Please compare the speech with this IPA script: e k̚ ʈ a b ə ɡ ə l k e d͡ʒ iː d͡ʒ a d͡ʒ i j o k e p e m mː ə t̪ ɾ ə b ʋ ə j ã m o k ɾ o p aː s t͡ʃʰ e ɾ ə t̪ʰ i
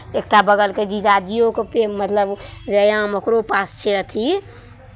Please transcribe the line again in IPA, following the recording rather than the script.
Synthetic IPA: e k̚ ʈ a b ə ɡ ə l k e d͡ʒ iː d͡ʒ a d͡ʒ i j o k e p e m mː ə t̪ l ə b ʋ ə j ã m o k ɾ o p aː s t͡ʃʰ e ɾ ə t̪ʰ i